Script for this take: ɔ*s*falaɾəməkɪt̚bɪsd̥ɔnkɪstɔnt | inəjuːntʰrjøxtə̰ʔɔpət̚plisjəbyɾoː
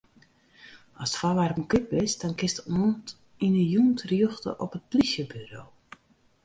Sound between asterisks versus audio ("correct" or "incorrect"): correct